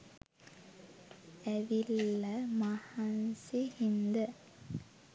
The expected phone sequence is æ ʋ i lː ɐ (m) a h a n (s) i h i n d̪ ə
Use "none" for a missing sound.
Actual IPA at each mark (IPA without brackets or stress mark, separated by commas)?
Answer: m, s